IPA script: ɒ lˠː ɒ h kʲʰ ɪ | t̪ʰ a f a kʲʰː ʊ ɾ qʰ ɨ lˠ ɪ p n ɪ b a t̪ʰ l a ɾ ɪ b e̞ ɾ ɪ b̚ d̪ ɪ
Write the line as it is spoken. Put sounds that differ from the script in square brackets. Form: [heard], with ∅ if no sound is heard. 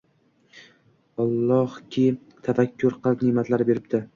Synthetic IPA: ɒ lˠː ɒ h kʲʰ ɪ | t̪ʰ a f a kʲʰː ʊ ɾ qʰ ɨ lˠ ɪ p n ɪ [m] a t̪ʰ l a ɾ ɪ b e̞ ɾ ɪ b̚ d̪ ɪ